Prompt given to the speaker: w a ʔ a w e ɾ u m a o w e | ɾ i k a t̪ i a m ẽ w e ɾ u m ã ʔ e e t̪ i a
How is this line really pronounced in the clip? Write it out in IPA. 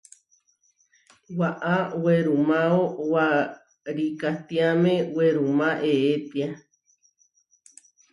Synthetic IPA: w a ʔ a w e ɾ u m a o w a | ɾ i k a t̪ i a m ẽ w e ɾ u m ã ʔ e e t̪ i a